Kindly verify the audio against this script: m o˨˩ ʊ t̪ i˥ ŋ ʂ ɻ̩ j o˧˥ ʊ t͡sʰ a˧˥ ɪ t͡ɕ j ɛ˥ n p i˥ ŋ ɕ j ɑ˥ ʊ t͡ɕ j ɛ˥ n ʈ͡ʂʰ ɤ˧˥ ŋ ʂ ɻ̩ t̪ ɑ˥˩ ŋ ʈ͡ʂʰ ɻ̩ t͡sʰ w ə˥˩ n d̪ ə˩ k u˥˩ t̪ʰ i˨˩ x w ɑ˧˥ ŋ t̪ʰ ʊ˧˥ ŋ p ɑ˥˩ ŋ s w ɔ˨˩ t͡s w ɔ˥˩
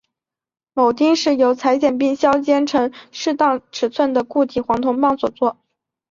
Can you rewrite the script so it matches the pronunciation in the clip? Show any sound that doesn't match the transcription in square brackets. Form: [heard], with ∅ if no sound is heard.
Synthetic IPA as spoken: m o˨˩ ʊ t̪ i˥ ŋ ʂ ɻ̩ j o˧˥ ʊ t͡sʰ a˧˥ ɪ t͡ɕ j [ɛ˨˩] n p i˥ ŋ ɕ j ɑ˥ ʊ t͡ɕ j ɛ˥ n ʈ͡ʂʰ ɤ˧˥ ŋ ʂ ɻ̩ t̪ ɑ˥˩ ŋ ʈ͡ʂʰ ɻ̩ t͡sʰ w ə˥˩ n d̪ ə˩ k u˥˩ t̪ʰ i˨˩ x w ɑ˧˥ ŋ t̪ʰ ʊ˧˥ ŋ p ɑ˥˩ ŋ s w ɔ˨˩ t͡s w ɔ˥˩